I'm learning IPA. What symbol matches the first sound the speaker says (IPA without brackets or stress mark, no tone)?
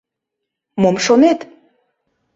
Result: m